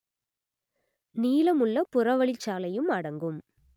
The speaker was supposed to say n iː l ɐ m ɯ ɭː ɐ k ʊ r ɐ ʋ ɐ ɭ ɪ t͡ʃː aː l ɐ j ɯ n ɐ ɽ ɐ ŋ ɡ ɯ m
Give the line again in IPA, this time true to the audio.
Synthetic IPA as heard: n iː l ɐ m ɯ ɭː ɐ p ʊ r ɐ ʋ ɐ ɭ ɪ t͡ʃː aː l ɐ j ɯ m ɐ ɽ ɐ ŋ ɡ ɯ m